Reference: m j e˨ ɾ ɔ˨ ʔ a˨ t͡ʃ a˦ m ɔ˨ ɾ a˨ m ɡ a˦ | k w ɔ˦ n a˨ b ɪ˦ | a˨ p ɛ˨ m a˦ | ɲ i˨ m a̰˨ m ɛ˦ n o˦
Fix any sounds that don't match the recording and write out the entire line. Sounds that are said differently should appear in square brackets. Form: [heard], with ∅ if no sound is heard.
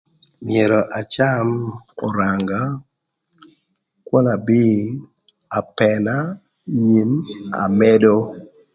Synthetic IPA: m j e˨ ɾ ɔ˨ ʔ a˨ t͡ʃ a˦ m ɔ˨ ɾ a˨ [ŋ] ɡ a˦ | k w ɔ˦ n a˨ b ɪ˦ | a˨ p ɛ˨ [n] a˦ | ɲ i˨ m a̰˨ m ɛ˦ [d] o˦